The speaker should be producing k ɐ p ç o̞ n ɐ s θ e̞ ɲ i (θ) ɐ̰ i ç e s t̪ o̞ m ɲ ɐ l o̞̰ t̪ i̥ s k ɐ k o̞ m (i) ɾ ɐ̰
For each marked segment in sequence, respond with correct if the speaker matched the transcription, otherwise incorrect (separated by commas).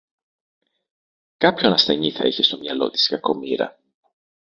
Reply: correct, correct